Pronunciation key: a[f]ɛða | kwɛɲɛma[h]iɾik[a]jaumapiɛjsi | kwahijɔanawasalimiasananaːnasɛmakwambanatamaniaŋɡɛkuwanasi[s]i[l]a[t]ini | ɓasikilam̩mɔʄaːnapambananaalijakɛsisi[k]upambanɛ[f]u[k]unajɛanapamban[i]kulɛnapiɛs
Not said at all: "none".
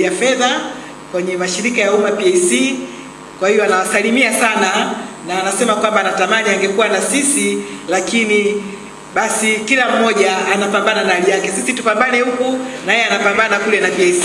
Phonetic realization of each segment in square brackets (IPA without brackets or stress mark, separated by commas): f, ʃ, a, s, l, k, t, h, k, a